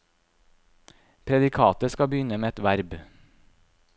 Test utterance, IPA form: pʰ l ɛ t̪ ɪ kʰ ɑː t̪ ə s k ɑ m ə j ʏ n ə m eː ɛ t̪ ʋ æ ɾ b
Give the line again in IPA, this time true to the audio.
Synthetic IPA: pʰ ɾ ɛ d̪ ɪ kʰ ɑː t̪ ə s k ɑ b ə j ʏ n ə m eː ɛ t̪ ʋ æ ɾ b